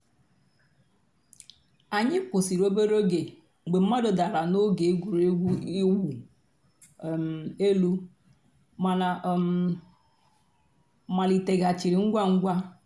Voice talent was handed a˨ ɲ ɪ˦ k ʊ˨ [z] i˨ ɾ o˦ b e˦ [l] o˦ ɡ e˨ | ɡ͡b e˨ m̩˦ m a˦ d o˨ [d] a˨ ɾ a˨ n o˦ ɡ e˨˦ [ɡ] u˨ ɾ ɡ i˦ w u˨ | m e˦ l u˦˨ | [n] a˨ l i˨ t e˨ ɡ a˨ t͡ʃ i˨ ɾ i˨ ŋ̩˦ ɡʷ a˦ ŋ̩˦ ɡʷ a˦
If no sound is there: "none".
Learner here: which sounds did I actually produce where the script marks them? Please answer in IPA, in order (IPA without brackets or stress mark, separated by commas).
s, ɾ, d, ɡ, m